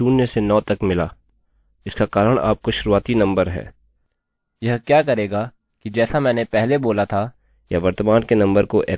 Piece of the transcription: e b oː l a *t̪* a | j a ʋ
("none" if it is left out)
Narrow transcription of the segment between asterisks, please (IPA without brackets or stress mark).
t̪ʰ